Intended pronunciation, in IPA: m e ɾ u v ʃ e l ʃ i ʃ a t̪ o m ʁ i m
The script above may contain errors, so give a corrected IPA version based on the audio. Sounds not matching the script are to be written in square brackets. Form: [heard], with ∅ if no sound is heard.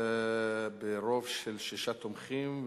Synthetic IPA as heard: [b] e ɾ [o] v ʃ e l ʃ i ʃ a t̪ o m [χ] i m